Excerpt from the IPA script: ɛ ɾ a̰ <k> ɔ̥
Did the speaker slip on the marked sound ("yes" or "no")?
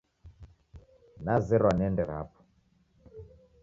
yes